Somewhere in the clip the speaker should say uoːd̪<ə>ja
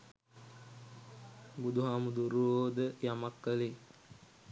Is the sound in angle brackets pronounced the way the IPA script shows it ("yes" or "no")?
yes